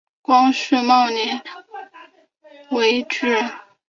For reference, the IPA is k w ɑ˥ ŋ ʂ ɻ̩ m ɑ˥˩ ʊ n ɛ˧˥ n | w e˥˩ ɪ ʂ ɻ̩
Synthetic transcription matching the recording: k w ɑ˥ ŋ ʂ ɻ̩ m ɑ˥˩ ʊ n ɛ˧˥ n | w e˧˥ ɪ ʈ͡ʂ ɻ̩